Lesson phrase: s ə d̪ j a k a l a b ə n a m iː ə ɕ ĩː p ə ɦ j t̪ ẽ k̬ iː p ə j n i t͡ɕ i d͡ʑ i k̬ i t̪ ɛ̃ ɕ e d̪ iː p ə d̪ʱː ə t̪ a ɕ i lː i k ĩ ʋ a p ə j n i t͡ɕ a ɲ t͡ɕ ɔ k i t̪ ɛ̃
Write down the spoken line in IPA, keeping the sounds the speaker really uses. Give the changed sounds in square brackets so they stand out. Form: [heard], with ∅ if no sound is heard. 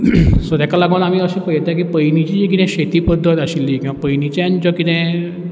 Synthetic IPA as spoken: s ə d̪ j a k a l a [ɡ] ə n a m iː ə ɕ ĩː p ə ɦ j t̪ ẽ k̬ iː p ə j n i t͡ɕ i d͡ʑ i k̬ i t̪ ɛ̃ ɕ e [t̪] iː p ə d̪ʱː ə t̪ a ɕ i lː i k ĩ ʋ a p ə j n i t͡ɕ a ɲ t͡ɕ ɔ k i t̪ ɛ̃